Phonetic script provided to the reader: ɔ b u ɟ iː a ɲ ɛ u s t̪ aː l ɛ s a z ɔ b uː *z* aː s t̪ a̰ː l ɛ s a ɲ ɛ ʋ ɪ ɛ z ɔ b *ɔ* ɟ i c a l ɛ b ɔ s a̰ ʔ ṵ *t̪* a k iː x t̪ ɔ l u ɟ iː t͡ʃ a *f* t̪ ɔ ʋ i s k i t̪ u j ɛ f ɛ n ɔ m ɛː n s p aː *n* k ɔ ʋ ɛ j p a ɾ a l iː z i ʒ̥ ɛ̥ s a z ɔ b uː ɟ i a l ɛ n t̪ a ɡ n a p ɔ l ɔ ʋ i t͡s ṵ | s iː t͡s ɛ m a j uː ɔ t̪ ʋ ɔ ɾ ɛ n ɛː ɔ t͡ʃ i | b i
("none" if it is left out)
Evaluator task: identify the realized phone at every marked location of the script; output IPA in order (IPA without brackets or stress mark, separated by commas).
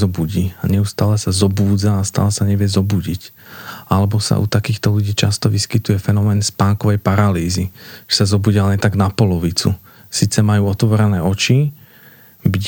d͡z, u, t̪, s, ŋ